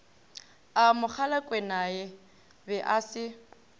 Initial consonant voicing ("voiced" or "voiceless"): voiced